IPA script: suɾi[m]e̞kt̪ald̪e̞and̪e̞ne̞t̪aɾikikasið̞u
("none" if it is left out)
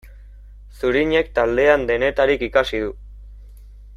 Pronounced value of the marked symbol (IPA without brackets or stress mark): ɲ